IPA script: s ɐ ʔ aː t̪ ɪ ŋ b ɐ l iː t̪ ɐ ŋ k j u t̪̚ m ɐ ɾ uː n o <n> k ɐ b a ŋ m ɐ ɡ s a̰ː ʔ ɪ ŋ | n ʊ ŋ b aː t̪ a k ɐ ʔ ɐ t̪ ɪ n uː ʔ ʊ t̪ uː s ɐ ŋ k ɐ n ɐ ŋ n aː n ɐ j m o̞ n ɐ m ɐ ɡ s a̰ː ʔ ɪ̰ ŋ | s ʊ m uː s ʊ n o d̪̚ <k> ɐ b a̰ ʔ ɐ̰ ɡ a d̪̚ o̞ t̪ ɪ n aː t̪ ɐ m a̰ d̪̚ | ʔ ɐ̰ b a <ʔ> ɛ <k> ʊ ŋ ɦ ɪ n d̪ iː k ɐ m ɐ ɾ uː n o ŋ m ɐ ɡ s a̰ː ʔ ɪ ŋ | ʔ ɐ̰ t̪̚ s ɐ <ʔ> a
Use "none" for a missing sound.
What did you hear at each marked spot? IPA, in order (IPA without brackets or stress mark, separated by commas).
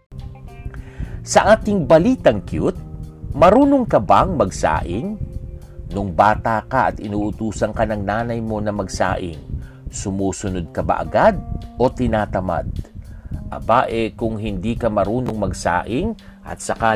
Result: ŋ, k, ʔ, k, k